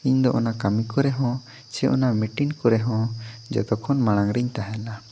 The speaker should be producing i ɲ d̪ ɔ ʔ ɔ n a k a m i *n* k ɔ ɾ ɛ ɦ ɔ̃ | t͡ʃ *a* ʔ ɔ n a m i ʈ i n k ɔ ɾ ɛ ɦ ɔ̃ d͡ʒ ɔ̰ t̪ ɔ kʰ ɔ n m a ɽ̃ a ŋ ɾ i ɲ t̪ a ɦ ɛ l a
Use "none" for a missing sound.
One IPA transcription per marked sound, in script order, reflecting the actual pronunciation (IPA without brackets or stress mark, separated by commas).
none, ɛ